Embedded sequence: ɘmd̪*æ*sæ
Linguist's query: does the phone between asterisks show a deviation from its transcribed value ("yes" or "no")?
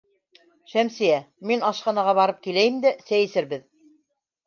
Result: no